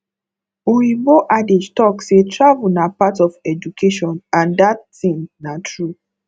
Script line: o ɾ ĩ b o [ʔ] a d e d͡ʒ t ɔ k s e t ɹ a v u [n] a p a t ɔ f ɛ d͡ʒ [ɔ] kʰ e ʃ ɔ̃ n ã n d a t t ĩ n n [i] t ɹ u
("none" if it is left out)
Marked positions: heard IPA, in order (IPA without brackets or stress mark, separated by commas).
ʔ, n, u, a